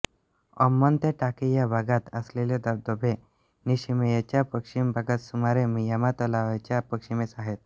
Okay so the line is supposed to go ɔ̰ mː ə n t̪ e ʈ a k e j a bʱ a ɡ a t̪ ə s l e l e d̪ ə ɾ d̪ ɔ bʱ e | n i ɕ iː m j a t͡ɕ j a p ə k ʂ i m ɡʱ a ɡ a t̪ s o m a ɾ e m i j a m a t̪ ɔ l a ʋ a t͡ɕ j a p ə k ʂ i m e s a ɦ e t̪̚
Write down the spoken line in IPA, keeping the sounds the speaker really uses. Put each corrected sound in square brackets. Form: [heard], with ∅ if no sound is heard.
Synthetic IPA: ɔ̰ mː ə n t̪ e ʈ a k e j a bʱ a ɡ a t̪ ə s l e l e d̪ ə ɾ d̪ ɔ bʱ e | n i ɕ [i] m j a t͡ɕ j a p ə k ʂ i m [bʱ] a ɡ a t̪ s [u] m a ɾ e m i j a m a t̪ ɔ l a ʋ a t͡ɕ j a p ə k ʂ i m e s a ɦ e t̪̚